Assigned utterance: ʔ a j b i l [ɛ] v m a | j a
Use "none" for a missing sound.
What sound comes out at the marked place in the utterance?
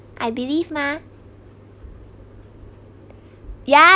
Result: i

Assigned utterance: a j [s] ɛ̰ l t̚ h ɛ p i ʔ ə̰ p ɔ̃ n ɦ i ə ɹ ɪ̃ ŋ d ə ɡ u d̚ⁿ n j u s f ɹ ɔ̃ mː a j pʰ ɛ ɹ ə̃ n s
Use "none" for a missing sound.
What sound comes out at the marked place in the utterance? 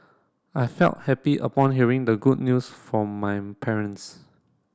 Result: f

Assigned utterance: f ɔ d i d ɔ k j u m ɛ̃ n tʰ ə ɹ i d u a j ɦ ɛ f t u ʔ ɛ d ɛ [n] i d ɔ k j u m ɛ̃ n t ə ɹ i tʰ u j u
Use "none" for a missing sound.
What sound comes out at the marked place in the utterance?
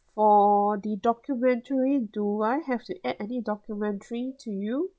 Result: n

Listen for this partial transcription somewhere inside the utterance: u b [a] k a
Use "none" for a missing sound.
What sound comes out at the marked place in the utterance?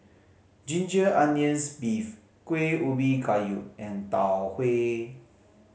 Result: i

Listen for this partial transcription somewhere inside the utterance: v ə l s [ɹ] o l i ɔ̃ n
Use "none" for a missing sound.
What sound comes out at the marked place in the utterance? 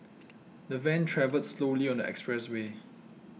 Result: l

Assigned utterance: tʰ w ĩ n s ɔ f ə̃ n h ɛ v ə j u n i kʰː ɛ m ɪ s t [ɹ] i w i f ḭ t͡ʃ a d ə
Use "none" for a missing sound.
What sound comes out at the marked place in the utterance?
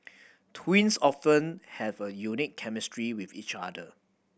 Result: ɹ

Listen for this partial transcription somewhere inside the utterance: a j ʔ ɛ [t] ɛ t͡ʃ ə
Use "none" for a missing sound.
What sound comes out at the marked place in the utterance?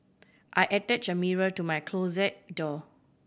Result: t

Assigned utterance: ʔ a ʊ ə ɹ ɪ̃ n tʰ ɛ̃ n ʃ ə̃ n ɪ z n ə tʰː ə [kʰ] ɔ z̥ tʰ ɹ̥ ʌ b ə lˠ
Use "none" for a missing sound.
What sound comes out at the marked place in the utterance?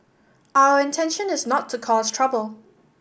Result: kʰ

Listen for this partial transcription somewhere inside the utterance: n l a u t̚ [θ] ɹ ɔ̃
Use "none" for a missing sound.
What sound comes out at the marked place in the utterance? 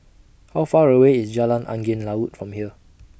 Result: f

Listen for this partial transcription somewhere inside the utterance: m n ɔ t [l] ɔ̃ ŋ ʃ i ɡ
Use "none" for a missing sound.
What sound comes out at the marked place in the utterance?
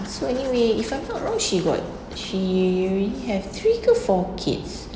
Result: ɹ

